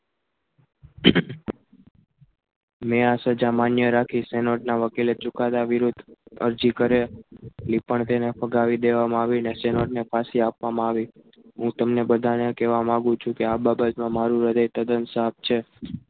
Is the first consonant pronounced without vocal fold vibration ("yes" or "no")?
no